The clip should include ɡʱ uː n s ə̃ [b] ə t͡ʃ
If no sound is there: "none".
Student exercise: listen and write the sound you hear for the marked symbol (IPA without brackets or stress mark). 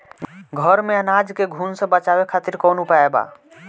b